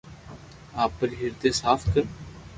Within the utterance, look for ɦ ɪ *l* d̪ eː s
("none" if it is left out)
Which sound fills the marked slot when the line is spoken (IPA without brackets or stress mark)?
ɾ